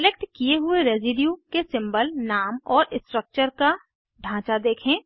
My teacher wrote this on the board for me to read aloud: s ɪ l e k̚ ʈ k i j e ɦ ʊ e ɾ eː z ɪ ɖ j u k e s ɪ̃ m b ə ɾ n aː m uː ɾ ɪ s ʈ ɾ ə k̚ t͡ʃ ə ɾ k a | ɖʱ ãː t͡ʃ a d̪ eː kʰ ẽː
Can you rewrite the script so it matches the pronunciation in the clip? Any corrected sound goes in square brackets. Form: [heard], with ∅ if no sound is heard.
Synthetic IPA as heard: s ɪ l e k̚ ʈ k i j e ɦ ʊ e ɾ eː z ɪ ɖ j u k e s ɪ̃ m b ə [l] n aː m [ɔː] ɾ ɪ s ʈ ɾ ə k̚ t͡ʃ ə ɾ k a | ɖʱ ãː t͡ʃ a d̪ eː kʰ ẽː